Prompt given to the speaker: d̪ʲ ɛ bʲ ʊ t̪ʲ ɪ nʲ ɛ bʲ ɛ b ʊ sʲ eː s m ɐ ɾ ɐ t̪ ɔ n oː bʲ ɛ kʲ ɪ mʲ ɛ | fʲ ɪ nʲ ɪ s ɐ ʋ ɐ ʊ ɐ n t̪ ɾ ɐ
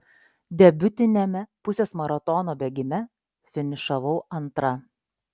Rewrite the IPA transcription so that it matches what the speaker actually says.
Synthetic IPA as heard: d̪ʲ ɛ bʲ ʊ t̪ʲ ɪ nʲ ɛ mʲ ɛ p ʊ sʲ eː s m ɐ ɾ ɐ t̪ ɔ n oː bʲ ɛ ɡʲ ɪ mʲ ɛ | fʲ ɪ nʲ ɪ ʃ ɐ ʋ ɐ ʊ ɐ n t̪ ɾ ɐ